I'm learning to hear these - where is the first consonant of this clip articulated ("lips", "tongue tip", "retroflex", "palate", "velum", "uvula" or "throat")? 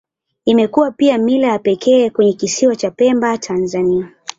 lips